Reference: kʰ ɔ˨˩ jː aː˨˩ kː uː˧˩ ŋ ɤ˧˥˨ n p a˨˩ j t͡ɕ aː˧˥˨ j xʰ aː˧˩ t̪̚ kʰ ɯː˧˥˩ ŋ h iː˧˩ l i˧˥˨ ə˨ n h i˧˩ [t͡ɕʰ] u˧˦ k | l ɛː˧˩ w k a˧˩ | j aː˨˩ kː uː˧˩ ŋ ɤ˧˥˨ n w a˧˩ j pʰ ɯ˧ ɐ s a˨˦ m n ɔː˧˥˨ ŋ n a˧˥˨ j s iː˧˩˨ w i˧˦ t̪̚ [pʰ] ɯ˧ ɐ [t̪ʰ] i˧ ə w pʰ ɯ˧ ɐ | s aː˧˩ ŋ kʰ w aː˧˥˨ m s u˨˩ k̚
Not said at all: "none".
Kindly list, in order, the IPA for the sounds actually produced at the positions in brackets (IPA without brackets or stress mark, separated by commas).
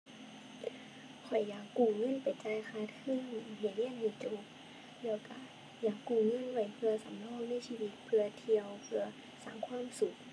t͡ɕ, pʰ, t̪ʰ